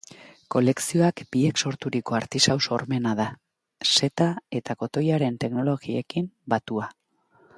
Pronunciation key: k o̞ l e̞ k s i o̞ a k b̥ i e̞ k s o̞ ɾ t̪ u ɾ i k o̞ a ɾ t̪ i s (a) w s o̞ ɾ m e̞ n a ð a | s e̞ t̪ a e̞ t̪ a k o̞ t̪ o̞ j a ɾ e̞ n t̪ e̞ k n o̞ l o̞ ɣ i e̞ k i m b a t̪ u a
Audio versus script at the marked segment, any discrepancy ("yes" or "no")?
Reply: no